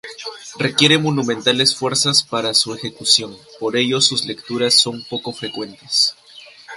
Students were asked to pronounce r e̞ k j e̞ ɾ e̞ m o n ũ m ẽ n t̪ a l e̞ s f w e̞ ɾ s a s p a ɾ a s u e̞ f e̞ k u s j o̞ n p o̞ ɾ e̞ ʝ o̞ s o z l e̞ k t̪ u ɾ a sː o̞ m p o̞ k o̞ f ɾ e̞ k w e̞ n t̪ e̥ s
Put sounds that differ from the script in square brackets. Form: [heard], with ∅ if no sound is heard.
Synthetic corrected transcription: r e̞ k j e̞ ɾ e̞ m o n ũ m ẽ n t̪ a l e̞ s f w e̞ ɾ s a s p a ɾ a s u e̞ [x] e̞ k u s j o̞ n p o̞ ɾ e̞ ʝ o̞ s [u] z l e̞ k t̪ u ɾ a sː o̞ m p o̞ k o̞ f ɾ e̞ k w e̞ n t̪ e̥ s